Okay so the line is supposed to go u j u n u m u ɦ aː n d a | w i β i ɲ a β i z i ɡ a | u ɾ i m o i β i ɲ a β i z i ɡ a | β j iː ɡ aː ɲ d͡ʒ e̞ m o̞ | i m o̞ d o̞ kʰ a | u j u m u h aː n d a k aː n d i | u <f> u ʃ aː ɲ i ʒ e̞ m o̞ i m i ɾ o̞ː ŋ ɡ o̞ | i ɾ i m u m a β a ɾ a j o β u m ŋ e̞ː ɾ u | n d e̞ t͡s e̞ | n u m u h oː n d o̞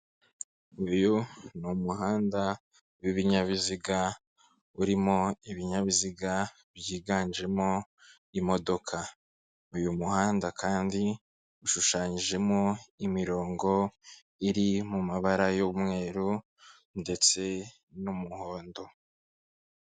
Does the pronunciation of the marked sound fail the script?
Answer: yes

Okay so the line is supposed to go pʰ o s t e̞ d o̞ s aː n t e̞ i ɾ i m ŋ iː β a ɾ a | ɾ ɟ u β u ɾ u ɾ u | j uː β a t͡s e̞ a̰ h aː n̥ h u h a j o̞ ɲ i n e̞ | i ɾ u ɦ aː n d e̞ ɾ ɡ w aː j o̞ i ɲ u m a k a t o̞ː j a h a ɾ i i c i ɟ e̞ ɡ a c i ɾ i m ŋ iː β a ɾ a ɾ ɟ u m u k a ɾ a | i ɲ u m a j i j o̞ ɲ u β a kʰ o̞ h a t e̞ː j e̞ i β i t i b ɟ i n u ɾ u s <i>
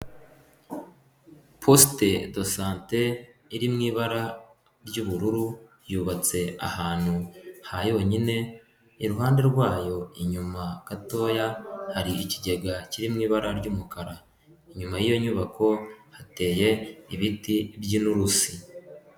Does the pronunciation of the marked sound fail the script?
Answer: no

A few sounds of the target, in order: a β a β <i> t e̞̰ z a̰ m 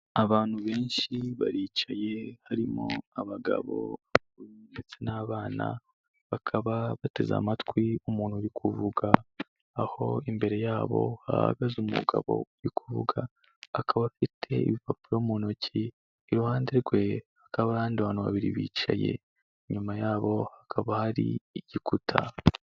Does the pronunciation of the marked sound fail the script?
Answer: yes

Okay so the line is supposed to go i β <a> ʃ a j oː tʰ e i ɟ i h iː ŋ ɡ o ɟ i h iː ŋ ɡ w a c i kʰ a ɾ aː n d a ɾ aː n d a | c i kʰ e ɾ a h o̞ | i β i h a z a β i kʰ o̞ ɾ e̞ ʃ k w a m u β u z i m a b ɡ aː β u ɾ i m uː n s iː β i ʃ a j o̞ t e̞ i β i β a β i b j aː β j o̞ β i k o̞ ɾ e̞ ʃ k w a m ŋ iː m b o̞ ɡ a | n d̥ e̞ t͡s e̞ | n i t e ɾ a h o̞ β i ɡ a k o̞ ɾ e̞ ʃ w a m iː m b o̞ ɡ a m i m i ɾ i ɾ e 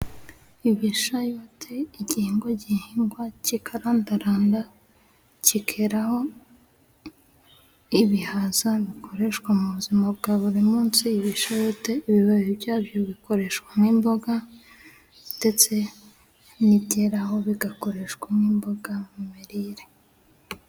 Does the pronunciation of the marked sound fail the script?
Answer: yes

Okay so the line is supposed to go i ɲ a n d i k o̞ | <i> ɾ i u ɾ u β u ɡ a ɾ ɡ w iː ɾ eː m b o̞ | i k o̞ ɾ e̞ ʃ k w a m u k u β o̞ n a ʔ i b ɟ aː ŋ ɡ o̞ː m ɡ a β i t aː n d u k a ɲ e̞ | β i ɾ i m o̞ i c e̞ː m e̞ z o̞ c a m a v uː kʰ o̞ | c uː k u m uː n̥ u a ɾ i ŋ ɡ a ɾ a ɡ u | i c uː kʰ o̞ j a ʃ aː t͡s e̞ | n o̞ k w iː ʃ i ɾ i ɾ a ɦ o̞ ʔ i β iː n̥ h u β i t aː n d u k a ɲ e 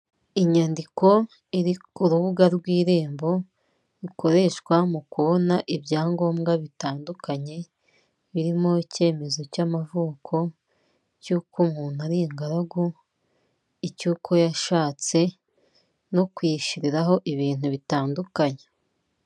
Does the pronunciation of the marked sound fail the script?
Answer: no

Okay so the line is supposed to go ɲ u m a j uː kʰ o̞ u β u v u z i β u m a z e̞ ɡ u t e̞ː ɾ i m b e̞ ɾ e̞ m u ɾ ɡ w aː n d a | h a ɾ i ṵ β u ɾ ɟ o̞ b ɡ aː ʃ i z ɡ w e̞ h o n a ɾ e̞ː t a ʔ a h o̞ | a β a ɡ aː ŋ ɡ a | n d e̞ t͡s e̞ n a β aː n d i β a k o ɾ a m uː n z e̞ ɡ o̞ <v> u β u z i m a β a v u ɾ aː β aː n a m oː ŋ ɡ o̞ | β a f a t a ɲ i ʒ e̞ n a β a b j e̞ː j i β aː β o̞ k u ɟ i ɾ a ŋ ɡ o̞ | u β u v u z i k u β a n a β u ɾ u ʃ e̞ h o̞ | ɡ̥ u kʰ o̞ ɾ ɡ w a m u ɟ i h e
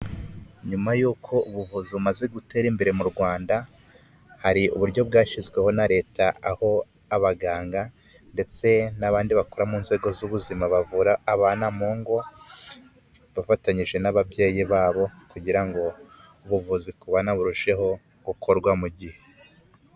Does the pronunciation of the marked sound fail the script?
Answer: yes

